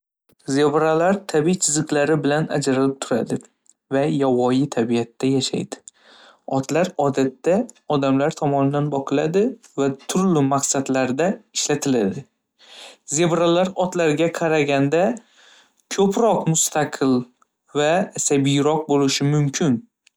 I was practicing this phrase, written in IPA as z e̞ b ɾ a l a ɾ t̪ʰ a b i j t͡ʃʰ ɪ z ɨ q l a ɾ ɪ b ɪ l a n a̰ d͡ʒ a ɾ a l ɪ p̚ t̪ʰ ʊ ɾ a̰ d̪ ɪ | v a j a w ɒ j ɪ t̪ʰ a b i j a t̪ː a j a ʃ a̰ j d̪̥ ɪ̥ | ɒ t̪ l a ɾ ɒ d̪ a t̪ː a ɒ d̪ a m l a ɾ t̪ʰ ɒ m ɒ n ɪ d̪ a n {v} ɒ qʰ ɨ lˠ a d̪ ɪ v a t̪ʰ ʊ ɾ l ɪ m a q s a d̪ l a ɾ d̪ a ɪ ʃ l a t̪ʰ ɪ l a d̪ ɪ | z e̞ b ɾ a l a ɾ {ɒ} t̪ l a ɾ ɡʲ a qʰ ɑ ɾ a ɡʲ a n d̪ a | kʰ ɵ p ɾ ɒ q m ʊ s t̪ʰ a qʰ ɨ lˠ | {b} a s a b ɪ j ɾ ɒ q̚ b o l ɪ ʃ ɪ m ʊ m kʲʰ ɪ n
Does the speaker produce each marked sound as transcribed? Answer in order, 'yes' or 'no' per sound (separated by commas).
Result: no, yes, no